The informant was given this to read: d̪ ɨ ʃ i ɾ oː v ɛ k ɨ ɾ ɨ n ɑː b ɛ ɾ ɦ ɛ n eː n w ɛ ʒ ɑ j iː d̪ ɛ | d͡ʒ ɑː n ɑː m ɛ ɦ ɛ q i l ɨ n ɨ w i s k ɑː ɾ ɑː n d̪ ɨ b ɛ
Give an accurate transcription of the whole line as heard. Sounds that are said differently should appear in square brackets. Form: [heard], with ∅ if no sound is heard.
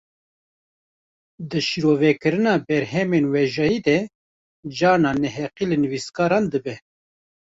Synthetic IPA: d̪ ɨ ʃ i ɾ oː v ɛ k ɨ ɾ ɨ n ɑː b ɛ ɾ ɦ ɛ [m] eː n w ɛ ʒ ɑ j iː d̪ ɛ | d͡ʒ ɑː n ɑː [n] ɛ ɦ ɛ q i l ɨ n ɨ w i s k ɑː ɾ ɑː n d̪ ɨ b ɛ